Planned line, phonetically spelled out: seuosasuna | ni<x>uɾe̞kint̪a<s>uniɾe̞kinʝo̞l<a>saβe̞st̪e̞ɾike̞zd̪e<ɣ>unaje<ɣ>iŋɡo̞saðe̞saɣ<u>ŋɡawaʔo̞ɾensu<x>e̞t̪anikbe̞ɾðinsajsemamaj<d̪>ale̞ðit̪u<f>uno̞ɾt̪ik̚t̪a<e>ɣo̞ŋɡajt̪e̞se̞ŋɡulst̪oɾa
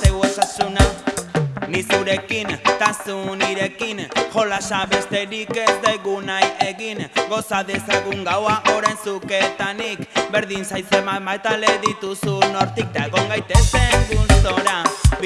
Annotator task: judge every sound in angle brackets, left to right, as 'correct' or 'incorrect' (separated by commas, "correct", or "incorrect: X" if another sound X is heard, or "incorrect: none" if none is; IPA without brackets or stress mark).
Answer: incorrect: s, correct, correct, correct, correct, correct, incorrect: k, incorrect: t̪, incorrect: s, correct